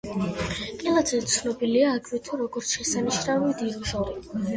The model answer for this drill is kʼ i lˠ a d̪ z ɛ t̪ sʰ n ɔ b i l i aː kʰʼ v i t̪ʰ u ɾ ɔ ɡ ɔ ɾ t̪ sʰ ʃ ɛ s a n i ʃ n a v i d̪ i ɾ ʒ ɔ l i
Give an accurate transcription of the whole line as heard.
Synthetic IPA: kʼ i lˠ a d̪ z ɛ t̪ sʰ n ɔ b i l i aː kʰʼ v i t̪ʰ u ɾ ɔ ɡ ɔ ɾ t̪ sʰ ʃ ɛ s a n i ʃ n a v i d̪ i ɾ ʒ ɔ ɾ i